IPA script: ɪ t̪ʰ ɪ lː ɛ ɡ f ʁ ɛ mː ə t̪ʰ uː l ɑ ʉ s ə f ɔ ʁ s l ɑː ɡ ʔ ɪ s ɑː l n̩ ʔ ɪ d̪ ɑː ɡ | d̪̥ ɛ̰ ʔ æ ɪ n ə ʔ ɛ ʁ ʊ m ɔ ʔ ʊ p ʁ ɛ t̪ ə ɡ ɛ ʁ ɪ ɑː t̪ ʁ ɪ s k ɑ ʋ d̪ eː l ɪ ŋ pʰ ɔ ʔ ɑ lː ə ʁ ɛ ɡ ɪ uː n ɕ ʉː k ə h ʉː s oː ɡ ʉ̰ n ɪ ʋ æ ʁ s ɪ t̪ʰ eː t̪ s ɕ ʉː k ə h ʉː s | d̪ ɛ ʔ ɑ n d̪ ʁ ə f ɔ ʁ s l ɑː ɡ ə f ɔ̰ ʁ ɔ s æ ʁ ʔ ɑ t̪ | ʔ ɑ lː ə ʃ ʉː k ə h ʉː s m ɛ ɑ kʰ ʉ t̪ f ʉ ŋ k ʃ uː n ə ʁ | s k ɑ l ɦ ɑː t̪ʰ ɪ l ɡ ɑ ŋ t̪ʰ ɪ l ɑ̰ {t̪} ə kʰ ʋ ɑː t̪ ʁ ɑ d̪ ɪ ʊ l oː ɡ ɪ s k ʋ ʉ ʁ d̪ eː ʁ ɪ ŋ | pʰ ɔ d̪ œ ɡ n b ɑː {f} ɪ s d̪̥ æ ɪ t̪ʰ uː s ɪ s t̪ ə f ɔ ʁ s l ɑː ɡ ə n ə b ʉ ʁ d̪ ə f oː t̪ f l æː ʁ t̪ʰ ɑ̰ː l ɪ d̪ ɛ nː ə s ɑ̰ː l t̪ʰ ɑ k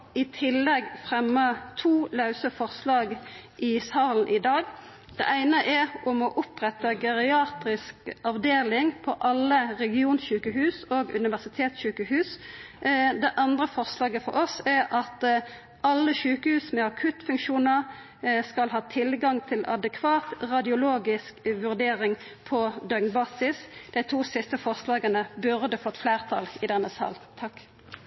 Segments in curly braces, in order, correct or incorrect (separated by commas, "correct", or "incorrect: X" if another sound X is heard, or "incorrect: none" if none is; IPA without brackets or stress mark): incorrect: d̪, incorrect: s